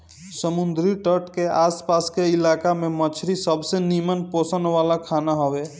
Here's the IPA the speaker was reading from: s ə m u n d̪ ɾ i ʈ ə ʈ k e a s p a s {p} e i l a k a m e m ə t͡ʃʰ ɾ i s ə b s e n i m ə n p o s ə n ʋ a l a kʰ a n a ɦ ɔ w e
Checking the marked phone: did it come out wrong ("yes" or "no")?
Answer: yes